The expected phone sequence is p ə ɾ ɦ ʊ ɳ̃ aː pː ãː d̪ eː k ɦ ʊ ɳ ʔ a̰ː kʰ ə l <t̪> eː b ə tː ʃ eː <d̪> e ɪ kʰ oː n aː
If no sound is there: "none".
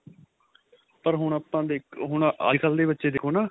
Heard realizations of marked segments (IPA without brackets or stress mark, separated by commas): d̪, d̪